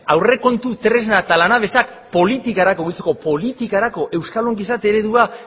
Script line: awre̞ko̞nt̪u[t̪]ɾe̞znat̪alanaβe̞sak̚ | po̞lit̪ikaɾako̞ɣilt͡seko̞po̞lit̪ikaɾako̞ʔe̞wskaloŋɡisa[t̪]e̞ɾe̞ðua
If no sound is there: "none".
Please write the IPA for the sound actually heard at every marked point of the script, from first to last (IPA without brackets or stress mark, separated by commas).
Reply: t̪, t̪